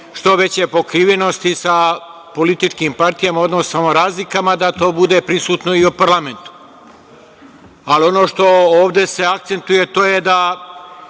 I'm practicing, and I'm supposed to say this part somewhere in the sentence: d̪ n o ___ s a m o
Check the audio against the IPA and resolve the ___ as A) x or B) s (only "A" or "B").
B